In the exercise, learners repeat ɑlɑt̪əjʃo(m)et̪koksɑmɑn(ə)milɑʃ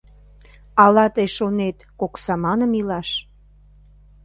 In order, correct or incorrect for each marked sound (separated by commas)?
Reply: incorrect, correct